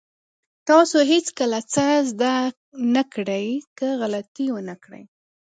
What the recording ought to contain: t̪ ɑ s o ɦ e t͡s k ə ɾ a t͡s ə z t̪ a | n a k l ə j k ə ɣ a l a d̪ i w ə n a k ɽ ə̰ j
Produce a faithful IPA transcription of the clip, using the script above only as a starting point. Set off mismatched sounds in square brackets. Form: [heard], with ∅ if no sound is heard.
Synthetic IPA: t̪ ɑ s o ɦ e t͡s k ə [l] a t͡s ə z [d̪] a | n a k [ɽ] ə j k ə ɣ a l a [t̪] i w ə n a k ɽ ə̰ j

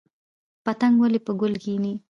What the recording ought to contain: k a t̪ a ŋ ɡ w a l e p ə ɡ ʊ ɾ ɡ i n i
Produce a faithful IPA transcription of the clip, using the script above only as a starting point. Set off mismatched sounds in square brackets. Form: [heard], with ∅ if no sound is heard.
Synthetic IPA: [p] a t̪ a ŋ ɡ w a l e p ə ɡ ʊ [l] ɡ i n i

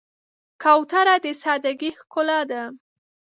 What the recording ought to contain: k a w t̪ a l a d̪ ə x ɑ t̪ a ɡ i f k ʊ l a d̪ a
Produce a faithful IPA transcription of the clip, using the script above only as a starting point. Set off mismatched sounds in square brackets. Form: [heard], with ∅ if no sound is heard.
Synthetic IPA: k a w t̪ a [ɾ] a d̪ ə [s] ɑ [d̪] a ɡ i [x] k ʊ l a d̪ a

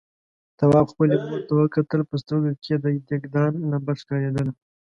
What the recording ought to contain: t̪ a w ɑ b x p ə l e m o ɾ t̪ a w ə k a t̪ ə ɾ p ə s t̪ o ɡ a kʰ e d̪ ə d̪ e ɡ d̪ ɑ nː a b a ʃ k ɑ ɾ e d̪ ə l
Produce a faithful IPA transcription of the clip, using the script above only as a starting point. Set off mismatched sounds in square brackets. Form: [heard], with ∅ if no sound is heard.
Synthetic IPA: t̪ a w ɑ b x p ə l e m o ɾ t̪ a w ə k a t̪ ə [l] p ə s t̪ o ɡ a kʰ e d̪ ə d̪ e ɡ d̪ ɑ nː a b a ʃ k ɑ ɾ e d̪ ə l

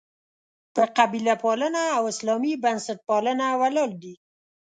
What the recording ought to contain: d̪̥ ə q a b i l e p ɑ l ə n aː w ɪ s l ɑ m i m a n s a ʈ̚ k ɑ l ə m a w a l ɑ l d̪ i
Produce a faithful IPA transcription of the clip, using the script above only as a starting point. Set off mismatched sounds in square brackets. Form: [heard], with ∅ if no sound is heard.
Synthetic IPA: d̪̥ ə q a b i l [a] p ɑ l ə n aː w ɪ s l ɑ m i [b] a n s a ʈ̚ [p] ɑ l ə [n] a w a l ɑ l d̪ i

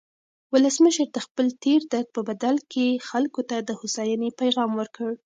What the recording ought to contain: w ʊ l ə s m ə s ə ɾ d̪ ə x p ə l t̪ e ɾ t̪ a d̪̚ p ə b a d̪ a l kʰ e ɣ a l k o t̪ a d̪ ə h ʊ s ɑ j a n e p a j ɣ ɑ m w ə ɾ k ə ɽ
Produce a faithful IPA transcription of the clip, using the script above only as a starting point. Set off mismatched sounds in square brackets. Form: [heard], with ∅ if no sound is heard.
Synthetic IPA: w ʊ l ə s m ə [ʃ] ə ɾ d̪ ə x p ə l t̪ e ɾ [d̪] a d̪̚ p ə b a d̪ a l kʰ e [x] a l k o t̪ a d̪ ə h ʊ s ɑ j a n e p a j ɣ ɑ m w ə ɾ k ə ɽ

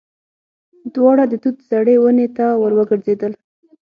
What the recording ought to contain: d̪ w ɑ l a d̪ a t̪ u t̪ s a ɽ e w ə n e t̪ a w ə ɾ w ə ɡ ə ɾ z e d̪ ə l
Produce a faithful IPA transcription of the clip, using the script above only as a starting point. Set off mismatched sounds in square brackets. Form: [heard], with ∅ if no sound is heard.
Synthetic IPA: d̪ w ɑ [ɽ] a d̪ [ə] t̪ u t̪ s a ɽ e w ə n e t̪ a w ə ɾ w ə ɡ ə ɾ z e d̪ ə l

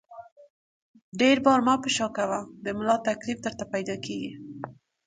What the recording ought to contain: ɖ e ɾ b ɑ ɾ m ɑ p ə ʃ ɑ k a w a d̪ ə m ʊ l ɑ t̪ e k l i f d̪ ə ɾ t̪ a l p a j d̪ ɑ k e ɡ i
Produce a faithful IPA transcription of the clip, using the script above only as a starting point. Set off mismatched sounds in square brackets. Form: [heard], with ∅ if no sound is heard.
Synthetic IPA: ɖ e ɾ b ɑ ɾ m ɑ p ə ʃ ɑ k a w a d̪ ə m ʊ l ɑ t̪ [a] k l i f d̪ ə ɾ t̪ a [∅] p a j d̪ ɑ k e ɡ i

